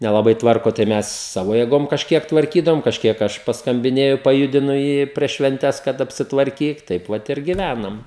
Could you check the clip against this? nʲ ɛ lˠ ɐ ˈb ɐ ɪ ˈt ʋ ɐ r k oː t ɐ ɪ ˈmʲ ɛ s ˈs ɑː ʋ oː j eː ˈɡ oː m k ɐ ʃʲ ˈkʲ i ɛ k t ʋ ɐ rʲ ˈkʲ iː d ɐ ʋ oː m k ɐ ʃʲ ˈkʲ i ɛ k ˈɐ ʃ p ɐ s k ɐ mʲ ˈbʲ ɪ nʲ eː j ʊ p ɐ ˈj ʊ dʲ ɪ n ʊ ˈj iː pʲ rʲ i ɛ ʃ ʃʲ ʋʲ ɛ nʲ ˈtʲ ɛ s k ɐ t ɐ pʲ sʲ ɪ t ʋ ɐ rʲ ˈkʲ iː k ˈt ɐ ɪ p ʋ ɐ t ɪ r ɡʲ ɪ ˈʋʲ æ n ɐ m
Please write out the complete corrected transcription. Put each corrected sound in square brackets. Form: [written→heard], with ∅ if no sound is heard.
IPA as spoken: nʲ ɛ lˠ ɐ ˈb ɐ ɪ ˈt ʋ ɐ r k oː t ɐ ɪ ˈmʲ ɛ s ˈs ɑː ʋ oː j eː ˈɡ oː m k ɐ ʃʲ ˈkʲ i ɛ k t ʋ ɐ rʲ ˈkʲ iː d ɐ ʋ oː m k ɐ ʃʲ ˈkʲ i ɛ k ˈɐ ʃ p ɐ s k ɐ mʲ ˈbʲ ɪ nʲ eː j ʊ p ɐ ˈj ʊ dʲ ɪ n ʊ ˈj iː pʲ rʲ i ɛ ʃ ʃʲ ʋʲ ɛ nʲ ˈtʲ ɛ s k ɐ t ɐ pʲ sʲ ɪ t ʋ ɐ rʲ ˈkʲ iː k ˈt ɐ ɪ p ʋ ɐ t ɪ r ɡʲ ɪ ˈʋʲ æ n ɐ m

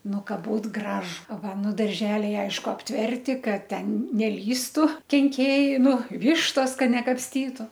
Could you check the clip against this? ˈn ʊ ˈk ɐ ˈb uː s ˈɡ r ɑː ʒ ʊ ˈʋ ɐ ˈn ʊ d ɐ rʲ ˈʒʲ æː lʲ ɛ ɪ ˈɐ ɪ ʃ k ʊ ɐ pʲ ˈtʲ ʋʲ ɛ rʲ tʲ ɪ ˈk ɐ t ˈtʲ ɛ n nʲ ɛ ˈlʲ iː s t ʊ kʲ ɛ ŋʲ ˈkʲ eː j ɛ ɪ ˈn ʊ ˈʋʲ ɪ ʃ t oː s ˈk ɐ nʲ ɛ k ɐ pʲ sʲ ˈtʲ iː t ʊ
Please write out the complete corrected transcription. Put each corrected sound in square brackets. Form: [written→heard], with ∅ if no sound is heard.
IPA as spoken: ˈn ʊ ˈk ɐ ˈb uː [s→t] ˈɡ r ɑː ʒ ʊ ˈʋ ɐ ˈn ʊ d ɐ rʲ ˈʒʲ æː lʲ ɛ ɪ ˈɐ ɪ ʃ k ʊ ɐ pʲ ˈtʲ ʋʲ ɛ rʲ tʲ ɪ ˈk ɐ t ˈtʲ ɛ n nʲ ɛ ˈlʲ iː s t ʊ kʲ ɛ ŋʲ ˈkʲ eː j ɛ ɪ ˈn ʊ ˈʋʲ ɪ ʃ t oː s ˈk ɐ nʲ ɛ k ɐ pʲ sʲ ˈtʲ iː t ʊ

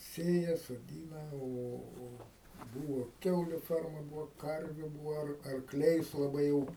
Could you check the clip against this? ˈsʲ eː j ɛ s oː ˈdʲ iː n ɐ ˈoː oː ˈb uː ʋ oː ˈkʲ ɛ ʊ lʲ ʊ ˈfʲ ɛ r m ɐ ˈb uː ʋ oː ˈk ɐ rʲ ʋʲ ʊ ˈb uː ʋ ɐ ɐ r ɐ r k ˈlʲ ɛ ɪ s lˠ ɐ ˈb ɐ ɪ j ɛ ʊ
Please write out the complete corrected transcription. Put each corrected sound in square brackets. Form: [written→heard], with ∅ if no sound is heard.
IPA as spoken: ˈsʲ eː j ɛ s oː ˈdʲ iː n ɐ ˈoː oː ˈb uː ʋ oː ˈkʲ ɛ ʊ lʲ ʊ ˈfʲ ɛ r m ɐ ˈb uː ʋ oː ˈk ɐ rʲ ʋʲ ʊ ˈb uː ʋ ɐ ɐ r ɐ r k ˈlʲ ɛ ɪ s lˠ ɐ ˈb ɐ ɪ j ɛ ʊ

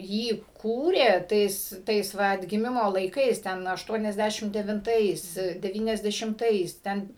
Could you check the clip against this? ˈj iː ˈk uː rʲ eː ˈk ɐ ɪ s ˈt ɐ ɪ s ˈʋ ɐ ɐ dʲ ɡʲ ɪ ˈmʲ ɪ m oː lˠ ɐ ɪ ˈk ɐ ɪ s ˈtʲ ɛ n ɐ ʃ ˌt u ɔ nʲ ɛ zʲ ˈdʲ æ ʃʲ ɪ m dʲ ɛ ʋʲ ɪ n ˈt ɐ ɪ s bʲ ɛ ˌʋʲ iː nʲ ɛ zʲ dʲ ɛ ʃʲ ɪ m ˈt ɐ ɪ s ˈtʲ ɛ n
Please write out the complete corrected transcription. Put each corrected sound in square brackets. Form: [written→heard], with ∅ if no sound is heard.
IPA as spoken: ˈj iː ˈk uː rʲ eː [ˈk→ˈt] ɐ ɪ s ˈt ɐ ɪ s ˈʋ ɐ ɐ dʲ ɡʲ ɪ ˈmʲ ɪ m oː lˠ ɐ ɪ ˈk ɐ ɪ s ˈtʲ ɛ n ɐ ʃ ˌt u ɔ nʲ ɛ zʲ ˈdʲ æ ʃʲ ɪ m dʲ ɛ ʋʲ ɪ n ˈt ɐ ɪ s [bʲ→dʲ] ɛ ˌʋʲ iː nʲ ɛ zʲ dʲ ɛ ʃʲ ɪ m ˈt ɐ ɪ s ˈtʲ ɛ n

